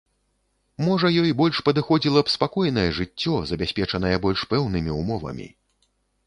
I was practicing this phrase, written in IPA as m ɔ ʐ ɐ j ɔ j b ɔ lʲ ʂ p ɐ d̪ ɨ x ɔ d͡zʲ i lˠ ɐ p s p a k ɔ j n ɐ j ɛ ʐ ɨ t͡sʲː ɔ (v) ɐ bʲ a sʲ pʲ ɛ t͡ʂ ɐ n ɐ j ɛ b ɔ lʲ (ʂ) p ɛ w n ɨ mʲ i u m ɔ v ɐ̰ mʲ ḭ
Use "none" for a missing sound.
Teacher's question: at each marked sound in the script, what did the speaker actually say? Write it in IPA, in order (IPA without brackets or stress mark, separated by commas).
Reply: z, ʂ